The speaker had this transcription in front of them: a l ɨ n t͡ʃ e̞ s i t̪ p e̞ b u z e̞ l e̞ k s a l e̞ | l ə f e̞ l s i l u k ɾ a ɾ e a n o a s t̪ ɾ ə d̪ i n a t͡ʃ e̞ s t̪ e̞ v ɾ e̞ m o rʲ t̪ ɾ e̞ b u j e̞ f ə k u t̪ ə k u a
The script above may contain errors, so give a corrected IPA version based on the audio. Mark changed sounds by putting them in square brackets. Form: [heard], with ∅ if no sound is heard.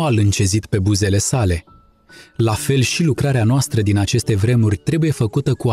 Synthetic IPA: a l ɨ n t͡ʃ e̞ [z] i t̪ p e̞ b u z e̞ l e̞ [∅] s a l e̞ | l [a] f e̞ l [ʃ] i l u k ɾ a ɾ e a n o a s t̪ ɾ ə d̪ i n a t͡ʃ e̞ s t̪ e̞ v ɾ e̞ m [u] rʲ t̪ ɾ e̞ b u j e̞ f ə k u t̪ ə k u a